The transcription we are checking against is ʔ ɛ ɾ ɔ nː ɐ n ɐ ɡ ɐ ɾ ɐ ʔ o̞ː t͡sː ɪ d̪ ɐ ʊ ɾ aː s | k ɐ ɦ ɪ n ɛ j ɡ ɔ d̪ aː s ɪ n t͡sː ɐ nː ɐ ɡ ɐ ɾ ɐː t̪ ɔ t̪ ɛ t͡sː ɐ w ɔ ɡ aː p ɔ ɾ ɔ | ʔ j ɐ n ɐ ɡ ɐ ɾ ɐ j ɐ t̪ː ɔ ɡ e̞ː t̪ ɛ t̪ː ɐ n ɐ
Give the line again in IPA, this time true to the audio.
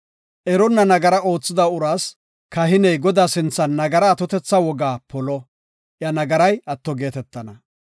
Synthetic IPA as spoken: ʔ ɛ ɾ ɔ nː ɐ n ɐ ɡ ɐ ɾ ɐ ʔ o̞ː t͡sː ɪ d̪ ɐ ʊ ɾ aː s | k ɐ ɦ ɪ n ɛ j ɡ ɔ d̪ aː s ɪ n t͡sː ɐ nː ɐ ɡ ɐ ɾ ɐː t̪ ɔ t̪ ɛ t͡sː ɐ w ɔ ɡ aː p ɔ l ɔ | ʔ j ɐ n ɐ ɡ ɐ ɾ ɐ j ɐ t̪ː ɔ ɡ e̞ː t̪ ɛ t̪ː ɐ n ɐ